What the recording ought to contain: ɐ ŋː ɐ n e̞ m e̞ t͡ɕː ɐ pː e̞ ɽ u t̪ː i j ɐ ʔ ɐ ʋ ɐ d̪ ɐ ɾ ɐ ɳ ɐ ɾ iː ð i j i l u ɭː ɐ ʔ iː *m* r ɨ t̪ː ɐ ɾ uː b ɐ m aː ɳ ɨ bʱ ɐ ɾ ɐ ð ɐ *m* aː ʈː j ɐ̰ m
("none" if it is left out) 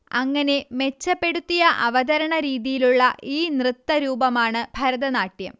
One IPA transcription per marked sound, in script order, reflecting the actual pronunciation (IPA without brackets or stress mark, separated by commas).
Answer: n, n